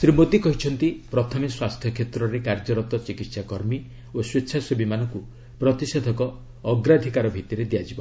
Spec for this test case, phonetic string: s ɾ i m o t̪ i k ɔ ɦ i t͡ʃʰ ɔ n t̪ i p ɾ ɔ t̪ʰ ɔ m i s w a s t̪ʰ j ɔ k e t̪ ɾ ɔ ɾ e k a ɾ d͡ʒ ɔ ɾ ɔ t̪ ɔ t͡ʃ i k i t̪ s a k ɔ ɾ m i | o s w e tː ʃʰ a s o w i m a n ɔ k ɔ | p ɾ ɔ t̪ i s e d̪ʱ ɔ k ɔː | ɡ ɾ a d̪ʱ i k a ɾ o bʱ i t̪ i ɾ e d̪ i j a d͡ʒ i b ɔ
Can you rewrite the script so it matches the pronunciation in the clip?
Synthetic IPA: s ɾ i m o t̪ i k ɔ ɦ i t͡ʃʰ ɔ n t̪ i p ɾ ɔ t̪ʰ ɔ m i s w a s t̪ʰ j ɔ kʰ e t̪ ɾ ɔ ɾ e k a ɾ d͡ʒ ɔ ɾ ɔ t̪ ɔ t͡ʃ i k i t̪ s a k ɔ ɾ m i | o s w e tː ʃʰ a s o b i m a n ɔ k u | p ɾ ɔ t̪ i s e d̪ʱ ɔ k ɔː | ɡ ɾ a d̪ʱ i k a ɾ ɔ bʱ i t̪ i ɾ e d̪ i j a d͡ʒ i b ɔ

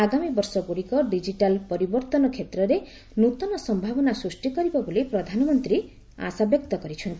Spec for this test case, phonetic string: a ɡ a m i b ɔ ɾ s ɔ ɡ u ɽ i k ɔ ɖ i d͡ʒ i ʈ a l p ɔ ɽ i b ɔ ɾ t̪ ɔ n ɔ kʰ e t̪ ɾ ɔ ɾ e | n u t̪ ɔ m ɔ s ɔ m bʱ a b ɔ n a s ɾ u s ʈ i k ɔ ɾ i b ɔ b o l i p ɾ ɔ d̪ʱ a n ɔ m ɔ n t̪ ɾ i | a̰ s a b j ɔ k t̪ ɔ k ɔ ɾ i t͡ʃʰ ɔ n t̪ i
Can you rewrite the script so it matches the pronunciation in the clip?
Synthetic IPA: a ɡ a m i b ɔ ɾ s ɔ ɡ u ɽ i k ɔ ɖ i d͡ʒ i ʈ a l p ɔ ɾ i b ɔ ɾ t̪ ɔ n ɔ kʰ e t̪ ɾ ɔ ɾ e | n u t̪ ɔ n ɔ s ɔ m bʱ a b ɔ n a s ɾ u s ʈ i k ɔ ɾ i b ɔ b o l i p ɾ ɔ d̪ʱ a n ɔ m ɔ n t̪ ɾ i | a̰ s a b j ɔ k t̪ ɔ k ɔ ɾ i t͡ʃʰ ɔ n t̪ i

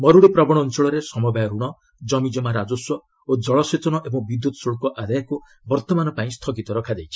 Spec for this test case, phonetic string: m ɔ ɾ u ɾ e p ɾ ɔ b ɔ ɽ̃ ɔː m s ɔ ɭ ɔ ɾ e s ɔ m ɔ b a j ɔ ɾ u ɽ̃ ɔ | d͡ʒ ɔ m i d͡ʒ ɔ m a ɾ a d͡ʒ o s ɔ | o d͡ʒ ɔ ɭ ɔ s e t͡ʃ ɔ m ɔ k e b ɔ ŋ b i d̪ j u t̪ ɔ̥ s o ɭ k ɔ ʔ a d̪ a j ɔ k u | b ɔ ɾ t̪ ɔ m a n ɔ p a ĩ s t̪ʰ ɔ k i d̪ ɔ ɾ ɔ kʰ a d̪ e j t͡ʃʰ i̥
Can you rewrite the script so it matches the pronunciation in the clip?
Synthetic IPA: m ɔ ɾ u ɽ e p ɾ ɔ b ɔ ɽ̃ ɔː n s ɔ ɭ ɔ ɾ e s ɔ m ɔ b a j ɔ ɾ u ɽ̃ ɔ | d͡ʒ ɔ m i d͡ʒ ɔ m a ɾ a d͡ʒ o s ɔ | o d͡ʒ ɔ ɭ ɔ s e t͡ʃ ɔ n ɔ ʔ e b ɔ ŋ b i d̪ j u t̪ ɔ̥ s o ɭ k ɔ ʔ a d̪ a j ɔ k u | b ɔ ɾ t̪ ɔ m a n ɔ p a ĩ s t̪ʰ ɔ k i t̪ ɔ ɾ ɔ kʰ a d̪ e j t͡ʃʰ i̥

